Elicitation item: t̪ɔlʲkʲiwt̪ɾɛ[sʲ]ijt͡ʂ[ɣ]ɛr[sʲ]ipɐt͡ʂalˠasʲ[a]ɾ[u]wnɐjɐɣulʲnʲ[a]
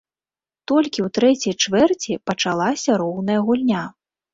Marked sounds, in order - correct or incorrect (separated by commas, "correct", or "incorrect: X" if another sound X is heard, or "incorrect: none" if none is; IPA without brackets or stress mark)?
incorrect: t͡sʲ, incorrect: v, incorrect: t͡sʲ, incorrect: ɐ, incorrect: ɔ, correct